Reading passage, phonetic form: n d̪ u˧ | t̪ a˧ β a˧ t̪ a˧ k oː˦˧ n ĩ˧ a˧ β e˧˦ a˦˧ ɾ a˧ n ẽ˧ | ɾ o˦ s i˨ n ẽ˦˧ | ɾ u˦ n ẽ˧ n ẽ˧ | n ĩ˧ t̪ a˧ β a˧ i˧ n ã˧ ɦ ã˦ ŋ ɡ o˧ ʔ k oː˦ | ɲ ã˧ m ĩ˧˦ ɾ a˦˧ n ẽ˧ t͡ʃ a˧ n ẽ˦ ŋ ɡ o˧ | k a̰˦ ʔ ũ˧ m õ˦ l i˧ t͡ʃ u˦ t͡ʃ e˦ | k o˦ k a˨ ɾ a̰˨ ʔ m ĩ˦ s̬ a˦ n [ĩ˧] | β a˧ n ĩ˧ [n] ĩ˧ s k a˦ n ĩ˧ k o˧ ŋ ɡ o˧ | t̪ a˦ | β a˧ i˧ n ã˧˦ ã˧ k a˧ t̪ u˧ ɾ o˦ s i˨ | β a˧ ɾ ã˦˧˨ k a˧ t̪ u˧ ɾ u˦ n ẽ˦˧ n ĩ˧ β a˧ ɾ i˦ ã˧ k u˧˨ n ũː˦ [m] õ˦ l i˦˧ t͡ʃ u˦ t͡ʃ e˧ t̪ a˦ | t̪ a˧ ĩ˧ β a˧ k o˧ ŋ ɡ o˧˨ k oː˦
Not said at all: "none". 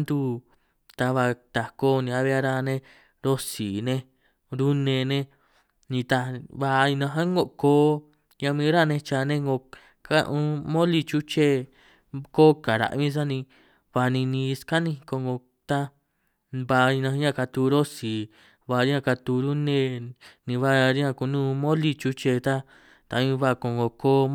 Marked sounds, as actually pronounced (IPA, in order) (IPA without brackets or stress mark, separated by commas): ĩ˧, n, m